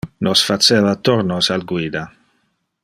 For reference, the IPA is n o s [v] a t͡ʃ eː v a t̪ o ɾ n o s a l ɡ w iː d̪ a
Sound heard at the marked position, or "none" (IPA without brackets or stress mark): f